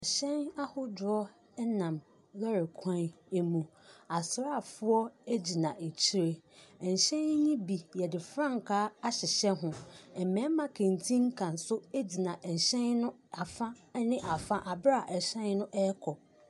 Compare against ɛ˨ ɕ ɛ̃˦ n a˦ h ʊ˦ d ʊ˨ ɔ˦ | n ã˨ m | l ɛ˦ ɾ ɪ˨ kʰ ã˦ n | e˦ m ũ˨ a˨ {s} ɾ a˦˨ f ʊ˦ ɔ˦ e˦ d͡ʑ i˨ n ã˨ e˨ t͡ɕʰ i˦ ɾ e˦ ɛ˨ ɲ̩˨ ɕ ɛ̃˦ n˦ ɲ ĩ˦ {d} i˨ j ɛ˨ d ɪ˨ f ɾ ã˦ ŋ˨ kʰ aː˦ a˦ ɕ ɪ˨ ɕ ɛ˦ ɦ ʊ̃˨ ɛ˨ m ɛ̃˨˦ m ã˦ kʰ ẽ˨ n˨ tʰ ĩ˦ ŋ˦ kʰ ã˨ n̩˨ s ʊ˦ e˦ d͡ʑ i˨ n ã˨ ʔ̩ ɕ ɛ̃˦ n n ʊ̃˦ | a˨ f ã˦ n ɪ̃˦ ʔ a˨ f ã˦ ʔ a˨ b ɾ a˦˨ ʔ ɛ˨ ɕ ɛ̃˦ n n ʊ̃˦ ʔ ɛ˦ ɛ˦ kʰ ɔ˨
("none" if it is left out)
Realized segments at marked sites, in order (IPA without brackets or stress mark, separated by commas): s, b